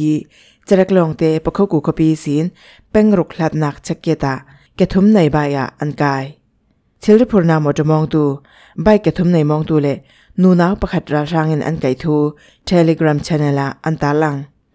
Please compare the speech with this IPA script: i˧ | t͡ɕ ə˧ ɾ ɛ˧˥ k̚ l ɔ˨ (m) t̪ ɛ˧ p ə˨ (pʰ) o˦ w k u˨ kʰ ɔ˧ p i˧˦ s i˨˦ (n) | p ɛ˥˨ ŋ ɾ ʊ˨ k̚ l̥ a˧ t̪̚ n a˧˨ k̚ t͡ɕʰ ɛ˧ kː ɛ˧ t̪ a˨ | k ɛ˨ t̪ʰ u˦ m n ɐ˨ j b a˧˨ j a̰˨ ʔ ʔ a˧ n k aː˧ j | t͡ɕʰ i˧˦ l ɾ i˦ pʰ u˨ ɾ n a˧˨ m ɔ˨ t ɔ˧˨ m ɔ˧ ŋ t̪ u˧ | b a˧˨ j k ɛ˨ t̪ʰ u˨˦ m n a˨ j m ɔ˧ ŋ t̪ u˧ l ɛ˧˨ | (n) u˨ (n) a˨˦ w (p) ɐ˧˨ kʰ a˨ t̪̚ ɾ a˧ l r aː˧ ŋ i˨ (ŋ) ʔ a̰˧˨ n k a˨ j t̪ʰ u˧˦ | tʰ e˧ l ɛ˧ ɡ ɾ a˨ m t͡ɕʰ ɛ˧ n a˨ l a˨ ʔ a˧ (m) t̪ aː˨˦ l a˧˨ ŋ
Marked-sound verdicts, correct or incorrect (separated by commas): incorrect, incorrect, correct, correct, correct, correct, incorrect, incorrect